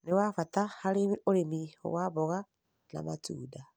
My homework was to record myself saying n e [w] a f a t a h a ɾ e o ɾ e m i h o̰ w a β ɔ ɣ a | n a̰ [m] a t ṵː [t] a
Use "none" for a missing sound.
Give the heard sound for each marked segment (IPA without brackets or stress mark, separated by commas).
w, m, d